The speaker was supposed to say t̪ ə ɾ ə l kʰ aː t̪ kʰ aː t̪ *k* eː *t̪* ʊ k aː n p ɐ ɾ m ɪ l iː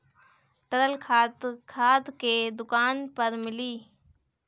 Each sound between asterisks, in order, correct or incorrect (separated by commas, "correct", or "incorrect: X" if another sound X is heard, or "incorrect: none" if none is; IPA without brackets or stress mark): correct, incorrect: d̪